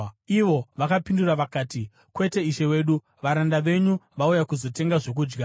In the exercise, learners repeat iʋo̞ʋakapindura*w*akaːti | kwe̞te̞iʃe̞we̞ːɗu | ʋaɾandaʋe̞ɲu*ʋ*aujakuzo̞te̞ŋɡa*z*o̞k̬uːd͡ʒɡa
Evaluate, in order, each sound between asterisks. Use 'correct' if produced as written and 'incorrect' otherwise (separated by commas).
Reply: incorrect, correct, incorrect